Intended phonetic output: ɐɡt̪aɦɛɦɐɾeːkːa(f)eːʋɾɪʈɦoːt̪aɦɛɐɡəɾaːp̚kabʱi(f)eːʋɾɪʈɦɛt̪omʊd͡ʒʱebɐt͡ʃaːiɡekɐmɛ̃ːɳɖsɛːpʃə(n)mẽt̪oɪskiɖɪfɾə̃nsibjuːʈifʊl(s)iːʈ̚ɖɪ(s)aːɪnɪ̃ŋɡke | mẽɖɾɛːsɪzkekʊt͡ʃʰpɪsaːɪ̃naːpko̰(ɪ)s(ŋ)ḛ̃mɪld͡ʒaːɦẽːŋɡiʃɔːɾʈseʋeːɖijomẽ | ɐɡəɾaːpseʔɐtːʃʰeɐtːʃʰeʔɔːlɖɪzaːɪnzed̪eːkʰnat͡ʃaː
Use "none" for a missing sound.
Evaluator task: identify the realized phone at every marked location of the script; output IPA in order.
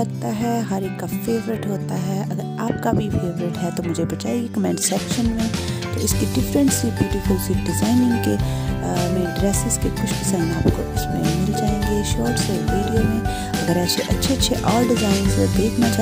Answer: f, f, n, s, z, ɪ, m

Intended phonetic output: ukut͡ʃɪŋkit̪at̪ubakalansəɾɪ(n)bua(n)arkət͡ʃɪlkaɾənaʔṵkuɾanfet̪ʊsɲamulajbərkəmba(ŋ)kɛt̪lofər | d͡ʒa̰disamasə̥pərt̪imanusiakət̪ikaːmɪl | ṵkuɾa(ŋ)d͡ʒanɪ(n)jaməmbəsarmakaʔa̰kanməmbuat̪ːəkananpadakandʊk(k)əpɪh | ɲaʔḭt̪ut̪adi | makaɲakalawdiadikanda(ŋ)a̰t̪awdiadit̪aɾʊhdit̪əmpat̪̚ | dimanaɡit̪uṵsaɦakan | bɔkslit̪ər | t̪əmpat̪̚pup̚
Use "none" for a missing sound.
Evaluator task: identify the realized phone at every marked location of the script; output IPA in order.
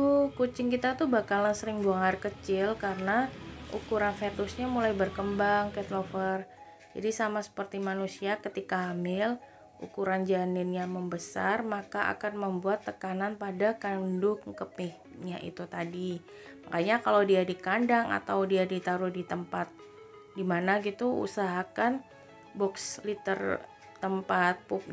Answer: ŋ, ŋ, ŋ, n, n, k, ŋ

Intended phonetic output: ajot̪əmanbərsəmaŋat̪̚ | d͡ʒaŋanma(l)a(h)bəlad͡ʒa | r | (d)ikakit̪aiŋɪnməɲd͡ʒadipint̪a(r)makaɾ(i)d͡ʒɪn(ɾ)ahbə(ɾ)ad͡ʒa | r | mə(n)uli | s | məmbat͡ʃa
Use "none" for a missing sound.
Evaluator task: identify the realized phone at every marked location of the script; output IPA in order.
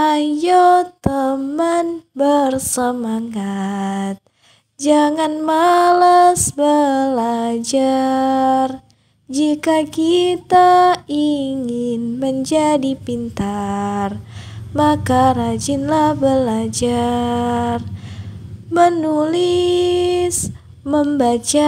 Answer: l, s, d͡ʒ, r, a, l, l, n

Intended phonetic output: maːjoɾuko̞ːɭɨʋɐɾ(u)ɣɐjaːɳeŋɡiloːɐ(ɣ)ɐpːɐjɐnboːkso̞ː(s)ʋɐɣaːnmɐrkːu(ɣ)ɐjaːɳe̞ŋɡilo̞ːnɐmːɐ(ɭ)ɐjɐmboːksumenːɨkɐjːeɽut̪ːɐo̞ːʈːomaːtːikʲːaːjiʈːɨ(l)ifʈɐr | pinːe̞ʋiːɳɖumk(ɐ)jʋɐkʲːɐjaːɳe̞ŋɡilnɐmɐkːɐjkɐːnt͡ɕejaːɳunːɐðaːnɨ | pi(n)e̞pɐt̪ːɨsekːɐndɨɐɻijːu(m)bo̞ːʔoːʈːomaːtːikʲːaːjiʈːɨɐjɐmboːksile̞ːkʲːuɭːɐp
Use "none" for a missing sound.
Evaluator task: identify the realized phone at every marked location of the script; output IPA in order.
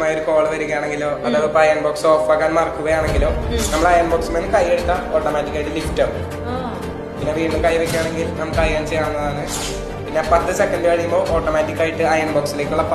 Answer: u, ð, f, ɣ, ɭ, l, ɐ, nː, m

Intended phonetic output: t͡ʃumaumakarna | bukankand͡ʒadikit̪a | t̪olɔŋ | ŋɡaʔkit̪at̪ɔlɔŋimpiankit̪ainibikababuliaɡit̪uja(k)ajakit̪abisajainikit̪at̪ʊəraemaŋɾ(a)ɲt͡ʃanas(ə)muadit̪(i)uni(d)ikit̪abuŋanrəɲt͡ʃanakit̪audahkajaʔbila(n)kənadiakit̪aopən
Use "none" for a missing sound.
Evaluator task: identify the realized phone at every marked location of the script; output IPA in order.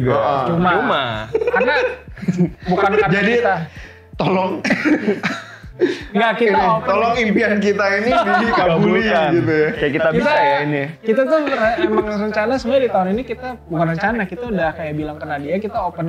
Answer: k, ə, ə, a, n, ŋ

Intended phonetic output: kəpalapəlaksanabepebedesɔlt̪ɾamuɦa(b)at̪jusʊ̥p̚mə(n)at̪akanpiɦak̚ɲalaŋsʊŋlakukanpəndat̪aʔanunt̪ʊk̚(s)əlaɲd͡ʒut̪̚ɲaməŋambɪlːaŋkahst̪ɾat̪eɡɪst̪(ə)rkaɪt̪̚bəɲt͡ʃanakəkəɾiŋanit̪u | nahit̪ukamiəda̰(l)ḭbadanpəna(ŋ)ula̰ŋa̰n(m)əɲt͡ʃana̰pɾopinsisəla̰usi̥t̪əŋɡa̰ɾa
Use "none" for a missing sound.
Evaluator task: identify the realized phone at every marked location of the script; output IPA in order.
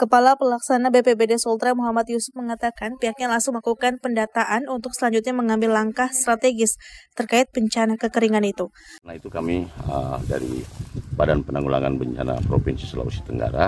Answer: m, ŋ, s, ə, ɾ, ŋ, b

